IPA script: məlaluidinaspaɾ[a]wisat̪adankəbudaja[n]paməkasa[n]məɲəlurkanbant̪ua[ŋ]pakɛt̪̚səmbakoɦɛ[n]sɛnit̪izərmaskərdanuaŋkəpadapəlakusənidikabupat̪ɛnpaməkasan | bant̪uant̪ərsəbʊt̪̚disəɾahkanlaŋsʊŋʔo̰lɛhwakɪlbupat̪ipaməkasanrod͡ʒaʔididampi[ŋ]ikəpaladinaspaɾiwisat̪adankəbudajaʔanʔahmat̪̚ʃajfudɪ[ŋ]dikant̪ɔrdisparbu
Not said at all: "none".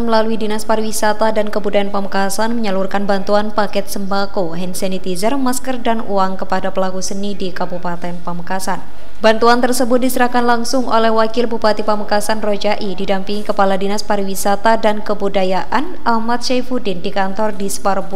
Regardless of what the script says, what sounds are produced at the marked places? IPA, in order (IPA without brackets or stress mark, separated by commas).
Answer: i, n, n, n, n, ŋ, n